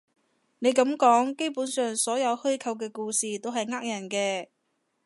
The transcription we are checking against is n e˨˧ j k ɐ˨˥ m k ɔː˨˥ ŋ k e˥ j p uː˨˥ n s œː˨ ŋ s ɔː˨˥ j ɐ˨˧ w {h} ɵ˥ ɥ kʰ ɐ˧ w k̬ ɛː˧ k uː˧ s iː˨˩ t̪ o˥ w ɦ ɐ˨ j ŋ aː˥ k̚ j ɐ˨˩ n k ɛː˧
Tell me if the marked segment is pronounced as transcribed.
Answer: yes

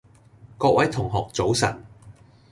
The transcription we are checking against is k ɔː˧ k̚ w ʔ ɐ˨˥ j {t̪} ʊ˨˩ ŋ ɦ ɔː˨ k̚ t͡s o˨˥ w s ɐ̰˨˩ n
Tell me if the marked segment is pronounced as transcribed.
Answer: no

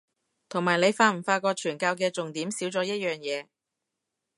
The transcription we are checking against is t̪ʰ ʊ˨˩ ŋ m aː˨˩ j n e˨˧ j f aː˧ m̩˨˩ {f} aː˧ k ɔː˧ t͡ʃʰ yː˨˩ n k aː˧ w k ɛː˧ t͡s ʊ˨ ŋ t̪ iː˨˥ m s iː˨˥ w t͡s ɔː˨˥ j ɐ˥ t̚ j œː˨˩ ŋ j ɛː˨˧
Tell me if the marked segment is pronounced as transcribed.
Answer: yes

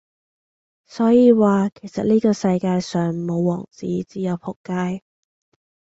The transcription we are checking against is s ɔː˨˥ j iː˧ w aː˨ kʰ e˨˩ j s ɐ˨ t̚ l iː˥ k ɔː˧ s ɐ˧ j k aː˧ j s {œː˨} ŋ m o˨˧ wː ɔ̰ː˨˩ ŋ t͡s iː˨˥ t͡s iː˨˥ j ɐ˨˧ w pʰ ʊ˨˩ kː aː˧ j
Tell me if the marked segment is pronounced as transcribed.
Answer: yes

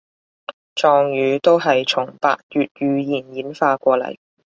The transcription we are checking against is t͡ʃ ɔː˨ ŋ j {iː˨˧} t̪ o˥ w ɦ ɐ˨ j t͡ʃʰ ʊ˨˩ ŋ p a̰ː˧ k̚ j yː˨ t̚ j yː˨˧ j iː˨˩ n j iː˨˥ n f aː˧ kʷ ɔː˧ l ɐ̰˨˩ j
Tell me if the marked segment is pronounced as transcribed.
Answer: no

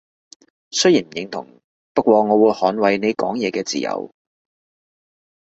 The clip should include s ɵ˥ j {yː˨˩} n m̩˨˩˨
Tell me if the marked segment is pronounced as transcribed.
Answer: no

